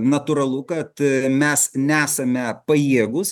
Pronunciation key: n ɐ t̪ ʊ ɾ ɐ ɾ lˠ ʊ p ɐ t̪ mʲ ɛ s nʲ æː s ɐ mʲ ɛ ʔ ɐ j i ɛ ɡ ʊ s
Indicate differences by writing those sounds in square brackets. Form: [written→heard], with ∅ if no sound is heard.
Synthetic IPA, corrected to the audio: n ɐ t̪ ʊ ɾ ɐ [ɾ→∅] lˠ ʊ [p→k] ɐ t̪ mʲ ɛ s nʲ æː s ɐ mʲ ɛ [ʔ→p] ɐ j i ɛ ɡ ʊ s